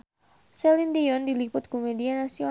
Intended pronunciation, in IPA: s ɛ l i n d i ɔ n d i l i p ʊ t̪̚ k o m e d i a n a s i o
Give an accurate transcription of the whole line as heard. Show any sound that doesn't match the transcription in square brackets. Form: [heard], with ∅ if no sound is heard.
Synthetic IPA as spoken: s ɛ l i n d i ɔ n d i l i p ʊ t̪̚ k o m e d i a n a s i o